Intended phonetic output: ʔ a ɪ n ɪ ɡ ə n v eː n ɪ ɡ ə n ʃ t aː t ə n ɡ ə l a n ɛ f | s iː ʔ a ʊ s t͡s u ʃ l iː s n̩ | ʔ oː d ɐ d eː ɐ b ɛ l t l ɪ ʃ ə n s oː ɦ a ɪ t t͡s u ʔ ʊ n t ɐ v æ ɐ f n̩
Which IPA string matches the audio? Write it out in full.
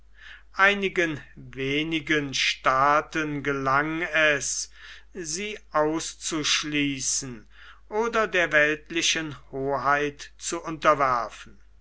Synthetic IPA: ʔ a ɪ n ɪ ɡ ə n v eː n ɪ ɡ ə n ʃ t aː t ə n ɡ ə l a ŋ ɛ s | z iː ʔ a ʊ s t͡s u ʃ l iː s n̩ | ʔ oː d ɐ d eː ɐ v ɛ l t l ɪ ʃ ə n h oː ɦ a ɪ t t͡s u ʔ ʊ n t ɐ v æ ɐ f n̩